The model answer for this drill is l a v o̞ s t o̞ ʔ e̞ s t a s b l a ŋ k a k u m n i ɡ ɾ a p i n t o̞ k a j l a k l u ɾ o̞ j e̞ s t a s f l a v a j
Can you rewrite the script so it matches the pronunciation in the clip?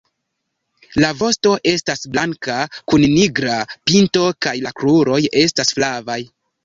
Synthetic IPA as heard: l a v o̞ s t o̞ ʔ e̞ s t a s b l a ŋ k a k u n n i ɡ ɾ a p i n t o̞ k a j l a k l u ɾ o̞ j e̞ s t a s f l a v a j